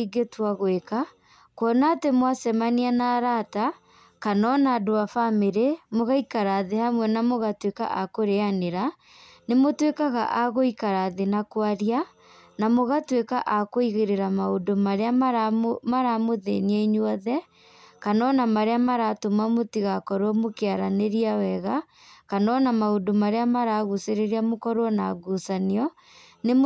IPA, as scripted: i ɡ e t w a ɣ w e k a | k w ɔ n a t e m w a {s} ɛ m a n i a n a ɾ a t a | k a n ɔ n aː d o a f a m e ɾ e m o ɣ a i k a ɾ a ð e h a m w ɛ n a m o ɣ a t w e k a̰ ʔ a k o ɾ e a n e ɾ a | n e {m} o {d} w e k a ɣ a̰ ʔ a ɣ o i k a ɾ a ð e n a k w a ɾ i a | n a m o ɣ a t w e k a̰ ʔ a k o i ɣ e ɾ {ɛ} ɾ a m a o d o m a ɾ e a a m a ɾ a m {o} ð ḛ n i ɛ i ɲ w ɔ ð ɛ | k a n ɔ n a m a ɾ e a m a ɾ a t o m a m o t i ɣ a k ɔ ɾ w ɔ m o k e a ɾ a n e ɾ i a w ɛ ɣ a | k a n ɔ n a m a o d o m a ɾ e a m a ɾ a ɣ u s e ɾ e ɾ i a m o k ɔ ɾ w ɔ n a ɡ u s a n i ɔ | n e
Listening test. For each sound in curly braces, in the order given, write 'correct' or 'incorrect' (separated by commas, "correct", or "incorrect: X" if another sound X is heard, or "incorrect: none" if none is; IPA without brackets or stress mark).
correct, correct, incorrect: t, incorrect: e, correct